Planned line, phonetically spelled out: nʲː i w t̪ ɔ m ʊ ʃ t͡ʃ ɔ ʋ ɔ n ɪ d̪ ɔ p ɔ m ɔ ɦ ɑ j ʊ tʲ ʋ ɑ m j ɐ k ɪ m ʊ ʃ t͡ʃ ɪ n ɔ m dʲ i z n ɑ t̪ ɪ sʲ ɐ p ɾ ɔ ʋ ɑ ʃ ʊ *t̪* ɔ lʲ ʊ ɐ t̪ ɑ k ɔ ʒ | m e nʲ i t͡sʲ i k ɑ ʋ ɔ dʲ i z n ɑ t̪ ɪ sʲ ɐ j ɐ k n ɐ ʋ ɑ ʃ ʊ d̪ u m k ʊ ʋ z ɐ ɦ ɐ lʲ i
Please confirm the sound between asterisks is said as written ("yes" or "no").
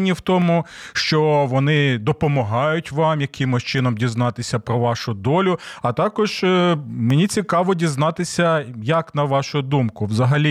no